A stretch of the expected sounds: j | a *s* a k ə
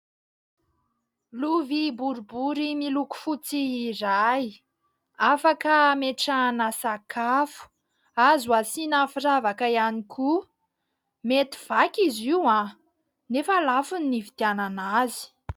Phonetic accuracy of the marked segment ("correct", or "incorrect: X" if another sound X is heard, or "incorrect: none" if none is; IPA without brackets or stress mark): incorrect: f